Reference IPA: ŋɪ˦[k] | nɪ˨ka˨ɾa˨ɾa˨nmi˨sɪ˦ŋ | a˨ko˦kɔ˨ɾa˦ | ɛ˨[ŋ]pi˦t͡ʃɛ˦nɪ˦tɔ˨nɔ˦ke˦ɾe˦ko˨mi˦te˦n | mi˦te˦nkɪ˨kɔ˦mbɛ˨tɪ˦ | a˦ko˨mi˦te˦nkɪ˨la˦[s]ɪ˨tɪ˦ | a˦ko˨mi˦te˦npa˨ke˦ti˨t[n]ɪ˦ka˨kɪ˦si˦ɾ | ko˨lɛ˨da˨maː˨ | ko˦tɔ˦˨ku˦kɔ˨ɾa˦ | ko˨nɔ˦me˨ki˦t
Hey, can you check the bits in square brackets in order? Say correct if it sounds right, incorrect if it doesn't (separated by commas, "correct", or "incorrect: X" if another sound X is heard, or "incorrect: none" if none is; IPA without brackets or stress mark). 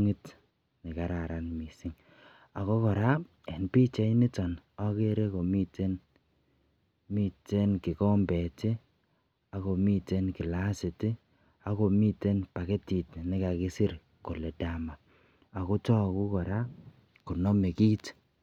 incorrect: t, incorrect: n, correct, correct